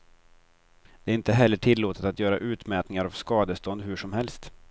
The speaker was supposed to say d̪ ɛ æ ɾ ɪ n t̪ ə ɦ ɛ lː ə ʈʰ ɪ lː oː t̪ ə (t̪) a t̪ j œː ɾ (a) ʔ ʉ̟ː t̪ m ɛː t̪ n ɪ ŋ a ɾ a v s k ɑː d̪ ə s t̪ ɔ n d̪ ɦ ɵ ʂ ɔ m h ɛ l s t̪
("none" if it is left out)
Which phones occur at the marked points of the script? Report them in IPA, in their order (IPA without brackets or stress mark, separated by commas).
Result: t̪, a